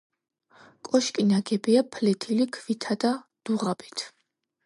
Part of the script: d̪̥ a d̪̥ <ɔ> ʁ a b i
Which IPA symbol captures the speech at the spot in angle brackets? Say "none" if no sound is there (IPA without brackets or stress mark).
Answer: u